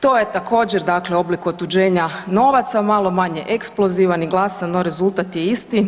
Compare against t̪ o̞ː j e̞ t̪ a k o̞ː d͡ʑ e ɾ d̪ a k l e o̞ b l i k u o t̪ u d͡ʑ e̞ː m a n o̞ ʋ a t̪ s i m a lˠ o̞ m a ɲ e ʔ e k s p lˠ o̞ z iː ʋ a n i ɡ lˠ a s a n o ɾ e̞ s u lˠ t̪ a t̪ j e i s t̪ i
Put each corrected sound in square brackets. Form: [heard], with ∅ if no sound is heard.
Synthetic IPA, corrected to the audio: t̪ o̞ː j e̞ t̪ a k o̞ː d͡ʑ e ɾ d̪ a k l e o̞ b l i k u o t̪ u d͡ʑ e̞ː [ɲ] a n o̞ ʋ a t̪ s [a] m a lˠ o̞ m a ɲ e ʔ e k s p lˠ o̞ z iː ʋ a n i ɡ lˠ a s a n o ɾ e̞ [z] u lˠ t̪ a t̪ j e i s t̪ i

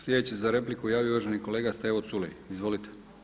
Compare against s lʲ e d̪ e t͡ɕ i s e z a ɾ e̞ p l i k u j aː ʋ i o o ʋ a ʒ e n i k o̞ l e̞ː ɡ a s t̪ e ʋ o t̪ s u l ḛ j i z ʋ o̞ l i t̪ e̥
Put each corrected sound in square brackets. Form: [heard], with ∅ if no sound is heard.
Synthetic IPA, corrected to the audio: s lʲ e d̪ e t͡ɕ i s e z a ɾ e̞ p l i k u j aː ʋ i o [u] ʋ a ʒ e n i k o̞ l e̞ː ɡ a s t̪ e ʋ o t̪ s u l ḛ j i z ʋ o̞ l i t̪ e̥

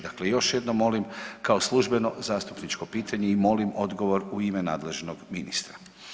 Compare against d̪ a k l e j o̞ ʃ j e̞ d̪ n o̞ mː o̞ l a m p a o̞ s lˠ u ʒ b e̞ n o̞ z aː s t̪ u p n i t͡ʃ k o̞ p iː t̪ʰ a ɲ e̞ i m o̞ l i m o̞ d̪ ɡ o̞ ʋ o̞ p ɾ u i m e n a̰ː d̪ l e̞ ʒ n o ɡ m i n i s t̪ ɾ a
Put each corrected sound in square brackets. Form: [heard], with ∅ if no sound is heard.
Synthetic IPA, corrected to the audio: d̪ a k l e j o̞ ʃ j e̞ d̪ n o̞ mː o̞ l [i] m [k] a o̞ s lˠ u ʒ b e̞ n o̞ z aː s t̪ u p n i t͡ʃ k o̞ p iː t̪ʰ a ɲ e̞ i m o̞ l i m o̞ d̪ ɡ o̞ ʋ o̞ [∅] ɾ u i m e n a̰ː d̪ l e̞ ʒ n o ɡ m i n i s t̪ ɾ a

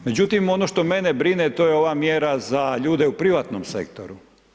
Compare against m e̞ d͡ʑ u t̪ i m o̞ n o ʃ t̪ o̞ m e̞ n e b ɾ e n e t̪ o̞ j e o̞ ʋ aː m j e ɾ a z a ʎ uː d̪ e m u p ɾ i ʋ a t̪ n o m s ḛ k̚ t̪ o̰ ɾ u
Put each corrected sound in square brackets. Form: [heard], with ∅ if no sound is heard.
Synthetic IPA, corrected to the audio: m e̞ d͡ʑ u t̪ i m o̞ n o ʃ t̪ o̞ m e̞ n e b ɾ [i] n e t̪ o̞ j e o̞ ʋ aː m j e ɾ a z a ʎ uː d̪ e [∅] u p ɾ i ʋ a t̪ n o m s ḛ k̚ t̪ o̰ ɾ u

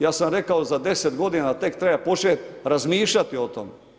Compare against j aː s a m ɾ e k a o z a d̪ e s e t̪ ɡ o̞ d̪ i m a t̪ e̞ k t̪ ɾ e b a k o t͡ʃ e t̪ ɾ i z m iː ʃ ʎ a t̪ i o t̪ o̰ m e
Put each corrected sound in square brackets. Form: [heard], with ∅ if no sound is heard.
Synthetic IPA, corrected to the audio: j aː s a m ɾ e k a o z a d̪ e s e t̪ ɡ o̞ d̪ i [n] a t̪ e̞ k t̪ ɾ e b a [p] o t͡ʃ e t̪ ɾ [a] z m iː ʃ ʎ a t̪ i o t̪ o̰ m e

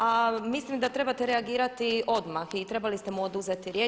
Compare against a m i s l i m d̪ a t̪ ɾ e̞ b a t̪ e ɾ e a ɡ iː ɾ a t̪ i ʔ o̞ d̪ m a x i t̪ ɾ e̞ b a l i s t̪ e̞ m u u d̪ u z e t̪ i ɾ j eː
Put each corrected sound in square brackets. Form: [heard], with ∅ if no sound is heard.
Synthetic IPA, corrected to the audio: a m i s l i m d̪ a t̪ ɾ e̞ b a t̪ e ɾ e a ɡ iː ɾ a t̪ i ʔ o̞ d̪ m a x i t̪ ɾ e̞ b a l i s t̪ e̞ m u [o] d̪ u z e t̪ i ɾ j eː

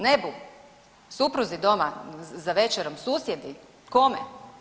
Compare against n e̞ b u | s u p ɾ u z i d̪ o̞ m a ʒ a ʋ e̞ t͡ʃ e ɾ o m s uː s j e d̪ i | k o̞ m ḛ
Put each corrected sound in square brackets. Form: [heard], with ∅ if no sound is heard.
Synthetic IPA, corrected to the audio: n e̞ b u | s u p ɾ u z i d̪ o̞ m a [z] a ʋ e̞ t͡ʃ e ɾ o m s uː s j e d̪ i | k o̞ m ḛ

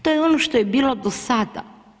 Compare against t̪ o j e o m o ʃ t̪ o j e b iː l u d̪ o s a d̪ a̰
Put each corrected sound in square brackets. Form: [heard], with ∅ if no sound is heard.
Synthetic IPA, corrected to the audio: t̪ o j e o [n] o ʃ t̪ o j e b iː l [o] d̪ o s a d̪ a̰

